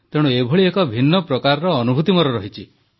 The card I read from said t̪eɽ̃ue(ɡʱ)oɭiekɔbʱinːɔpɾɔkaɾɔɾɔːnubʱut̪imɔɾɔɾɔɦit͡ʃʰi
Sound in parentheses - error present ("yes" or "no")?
yes